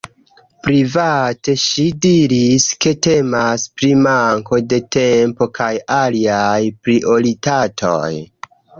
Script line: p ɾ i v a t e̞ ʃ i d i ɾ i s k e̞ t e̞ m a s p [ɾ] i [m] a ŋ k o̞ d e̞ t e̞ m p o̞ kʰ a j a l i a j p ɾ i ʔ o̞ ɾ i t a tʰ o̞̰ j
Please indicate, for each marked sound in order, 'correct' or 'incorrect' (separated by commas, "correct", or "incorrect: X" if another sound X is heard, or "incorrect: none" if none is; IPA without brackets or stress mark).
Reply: correct, correct